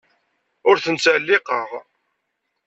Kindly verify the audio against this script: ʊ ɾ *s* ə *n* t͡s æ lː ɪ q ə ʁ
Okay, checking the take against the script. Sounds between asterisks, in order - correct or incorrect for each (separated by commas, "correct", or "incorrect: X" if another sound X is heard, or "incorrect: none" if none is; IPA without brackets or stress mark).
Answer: incorrect: θ, correct